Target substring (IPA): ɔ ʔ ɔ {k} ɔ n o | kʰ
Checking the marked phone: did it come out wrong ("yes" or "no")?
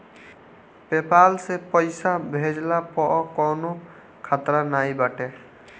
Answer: no